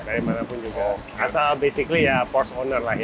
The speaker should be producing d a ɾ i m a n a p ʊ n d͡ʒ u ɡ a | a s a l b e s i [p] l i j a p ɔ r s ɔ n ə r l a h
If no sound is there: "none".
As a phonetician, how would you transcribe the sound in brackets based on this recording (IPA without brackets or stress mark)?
k